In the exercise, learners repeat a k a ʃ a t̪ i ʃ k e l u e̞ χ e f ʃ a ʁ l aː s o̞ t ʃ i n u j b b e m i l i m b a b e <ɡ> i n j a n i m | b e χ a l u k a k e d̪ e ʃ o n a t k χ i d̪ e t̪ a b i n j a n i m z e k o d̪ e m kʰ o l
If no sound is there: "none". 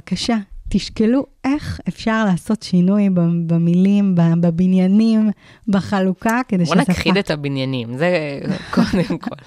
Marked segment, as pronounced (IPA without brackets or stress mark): b